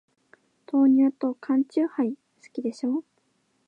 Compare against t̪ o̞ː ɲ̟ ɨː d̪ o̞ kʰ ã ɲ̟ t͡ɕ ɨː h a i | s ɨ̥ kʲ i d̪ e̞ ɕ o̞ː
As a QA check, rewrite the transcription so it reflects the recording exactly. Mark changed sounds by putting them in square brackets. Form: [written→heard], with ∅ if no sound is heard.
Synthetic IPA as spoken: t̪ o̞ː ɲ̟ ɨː [d̪→t̪] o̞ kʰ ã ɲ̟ t͡ɕ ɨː h a i | s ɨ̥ kʲ i d̪ e̞ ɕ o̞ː

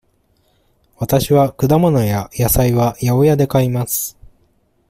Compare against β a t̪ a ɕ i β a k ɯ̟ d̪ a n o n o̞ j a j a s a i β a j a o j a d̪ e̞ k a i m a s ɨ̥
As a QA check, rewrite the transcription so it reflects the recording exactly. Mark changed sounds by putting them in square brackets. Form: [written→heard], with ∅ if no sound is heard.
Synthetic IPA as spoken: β a t̪ a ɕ i β a k ɯ̟ d̪ a [n→m] o n o̞ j a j a s a i β a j a o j a d̪ e̞ k a i m a s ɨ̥

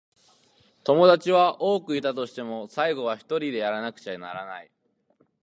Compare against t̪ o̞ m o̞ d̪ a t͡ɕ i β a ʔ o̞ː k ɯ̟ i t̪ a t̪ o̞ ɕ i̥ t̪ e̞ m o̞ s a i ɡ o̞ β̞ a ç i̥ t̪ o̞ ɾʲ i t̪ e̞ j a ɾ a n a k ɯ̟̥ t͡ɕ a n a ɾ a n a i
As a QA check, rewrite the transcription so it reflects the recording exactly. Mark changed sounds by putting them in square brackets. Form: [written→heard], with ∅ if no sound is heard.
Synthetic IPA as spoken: t̪ o̞ m o̞ d̪ a t͡ɕ i β a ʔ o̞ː k ɯ̟ i t̪ a t̪ o̞ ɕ i̥ t̪ e̞ m o̞ s a i ɡ o̞ β̞ a ç i̥ t̪ o̞ ɾʲ i [t̪→d̪] e̞ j a ɾ a n a k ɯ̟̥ t͡ɕ a n a ɾ a n a i

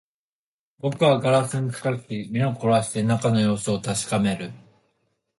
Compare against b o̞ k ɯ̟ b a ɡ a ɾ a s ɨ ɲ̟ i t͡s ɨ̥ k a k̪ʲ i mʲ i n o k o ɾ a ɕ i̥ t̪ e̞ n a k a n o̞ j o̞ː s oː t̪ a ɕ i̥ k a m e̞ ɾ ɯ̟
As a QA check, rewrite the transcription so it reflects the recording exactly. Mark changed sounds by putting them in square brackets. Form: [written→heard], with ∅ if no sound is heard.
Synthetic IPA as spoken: b o̞ k ɯ̟ [b→β] a ɡ a ɾ a s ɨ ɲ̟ i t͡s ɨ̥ k a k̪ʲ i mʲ i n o k o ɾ a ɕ i̥ t̪ e̞ n a k a n o̞ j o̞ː s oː t̪ a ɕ i̥ k a m e̞ ɾ ɯ̟

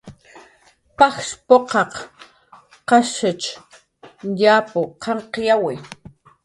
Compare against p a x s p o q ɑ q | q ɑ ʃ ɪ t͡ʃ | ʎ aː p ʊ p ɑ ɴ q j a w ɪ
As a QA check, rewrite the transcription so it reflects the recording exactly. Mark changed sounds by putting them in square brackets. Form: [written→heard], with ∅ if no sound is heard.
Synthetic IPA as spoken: p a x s p o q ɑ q | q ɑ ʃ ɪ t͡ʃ | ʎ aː p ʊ [p→q] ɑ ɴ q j a w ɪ

